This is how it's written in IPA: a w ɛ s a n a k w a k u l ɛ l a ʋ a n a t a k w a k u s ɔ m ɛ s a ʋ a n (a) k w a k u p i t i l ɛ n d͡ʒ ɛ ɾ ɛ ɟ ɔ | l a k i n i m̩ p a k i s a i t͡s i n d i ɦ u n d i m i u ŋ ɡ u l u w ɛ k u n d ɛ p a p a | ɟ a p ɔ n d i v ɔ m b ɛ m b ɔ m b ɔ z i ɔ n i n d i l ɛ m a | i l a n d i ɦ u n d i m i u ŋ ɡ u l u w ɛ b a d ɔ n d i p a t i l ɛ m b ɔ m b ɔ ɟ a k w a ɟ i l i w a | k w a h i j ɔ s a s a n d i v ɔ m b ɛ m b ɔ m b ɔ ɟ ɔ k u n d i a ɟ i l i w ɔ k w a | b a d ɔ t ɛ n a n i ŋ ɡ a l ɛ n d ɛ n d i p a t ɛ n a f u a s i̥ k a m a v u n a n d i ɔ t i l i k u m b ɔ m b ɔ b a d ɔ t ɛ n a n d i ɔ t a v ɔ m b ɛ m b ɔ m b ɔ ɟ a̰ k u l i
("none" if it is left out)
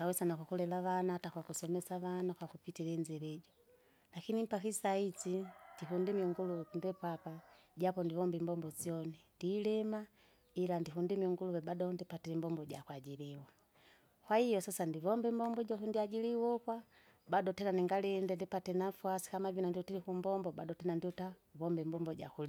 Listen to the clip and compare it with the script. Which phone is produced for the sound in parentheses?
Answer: a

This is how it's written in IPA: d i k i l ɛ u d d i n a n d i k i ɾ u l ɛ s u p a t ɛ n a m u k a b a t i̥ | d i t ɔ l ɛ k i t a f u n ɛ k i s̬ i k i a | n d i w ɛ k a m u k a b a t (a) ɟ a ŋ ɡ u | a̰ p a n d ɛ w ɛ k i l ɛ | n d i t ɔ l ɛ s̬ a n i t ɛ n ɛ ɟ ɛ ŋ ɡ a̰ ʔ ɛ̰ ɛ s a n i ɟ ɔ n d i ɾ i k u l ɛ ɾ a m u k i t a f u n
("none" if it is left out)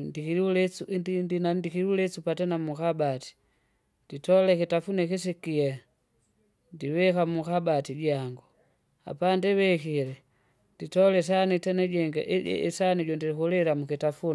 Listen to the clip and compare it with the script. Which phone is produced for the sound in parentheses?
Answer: i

